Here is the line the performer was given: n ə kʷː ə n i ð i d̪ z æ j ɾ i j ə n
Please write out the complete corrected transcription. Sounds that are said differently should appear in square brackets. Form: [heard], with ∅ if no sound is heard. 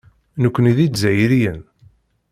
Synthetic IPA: n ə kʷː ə n i ð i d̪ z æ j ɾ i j ə n